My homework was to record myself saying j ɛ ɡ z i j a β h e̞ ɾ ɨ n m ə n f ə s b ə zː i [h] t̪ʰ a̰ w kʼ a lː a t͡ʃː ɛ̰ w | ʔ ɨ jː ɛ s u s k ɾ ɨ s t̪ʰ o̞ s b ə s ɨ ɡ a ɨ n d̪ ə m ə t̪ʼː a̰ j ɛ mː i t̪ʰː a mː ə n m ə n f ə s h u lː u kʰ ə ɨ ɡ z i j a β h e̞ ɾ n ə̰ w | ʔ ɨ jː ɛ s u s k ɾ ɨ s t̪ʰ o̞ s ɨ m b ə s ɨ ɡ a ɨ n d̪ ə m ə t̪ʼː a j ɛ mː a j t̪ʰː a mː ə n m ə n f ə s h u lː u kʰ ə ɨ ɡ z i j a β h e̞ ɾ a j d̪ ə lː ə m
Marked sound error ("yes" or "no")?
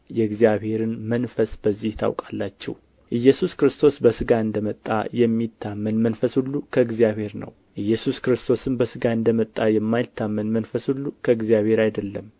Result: no